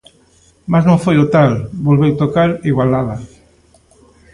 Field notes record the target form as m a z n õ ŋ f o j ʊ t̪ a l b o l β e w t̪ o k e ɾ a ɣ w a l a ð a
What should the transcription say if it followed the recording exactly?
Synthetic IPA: m a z n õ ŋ f o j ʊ t̪ a l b o l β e w t̪ o k a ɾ i ɣ w a l a ð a